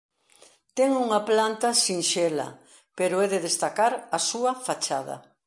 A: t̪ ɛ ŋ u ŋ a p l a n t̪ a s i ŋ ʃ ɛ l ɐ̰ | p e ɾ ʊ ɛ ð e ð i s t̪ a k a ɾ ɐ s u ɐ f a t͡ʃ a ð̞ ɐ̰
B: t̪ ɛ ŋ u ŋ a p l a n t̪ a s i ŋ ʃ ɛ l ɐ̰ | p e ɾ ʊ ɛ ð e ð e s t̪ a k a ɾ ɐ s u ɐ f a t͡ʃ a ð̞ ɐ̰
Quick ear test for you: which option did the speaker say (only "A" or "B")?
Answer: B